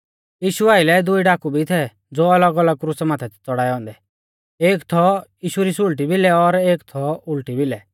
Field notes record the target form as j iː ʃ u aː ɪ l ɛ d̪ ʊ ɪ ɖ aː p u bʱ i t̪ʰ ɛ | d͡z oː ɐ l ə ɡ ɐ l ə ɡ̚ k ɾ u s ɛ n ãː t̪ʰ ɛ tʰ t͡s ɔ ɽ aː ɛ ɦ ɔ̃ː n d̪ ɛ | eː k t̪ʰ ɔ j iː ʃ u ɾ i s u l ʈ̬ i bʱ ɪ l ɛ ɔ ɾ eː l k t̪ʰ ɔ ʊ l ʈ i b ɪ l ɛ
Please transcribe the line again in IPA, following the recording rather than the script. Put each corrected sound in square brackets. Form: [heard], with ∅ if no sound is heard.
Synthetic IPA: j iː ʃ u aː ɪ l ɛ d̪ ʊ [i] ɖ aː [k] u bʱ i t̪ʰ ɛ | d͡z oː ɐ l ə ɡ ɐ l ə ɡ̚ k ɾ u s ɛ [m] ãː t̪ʰ ɛ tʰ t͡s ɔ ɽ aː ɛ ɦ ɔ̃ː n d̪ ɛ | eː k t̪ʰ ɔ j iː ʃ u ɾ i s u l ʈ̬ i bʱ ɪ l ɛ ɔ ɾ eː [∅] k t̪ʰ ɔ ʊ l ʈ i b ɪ l ɛ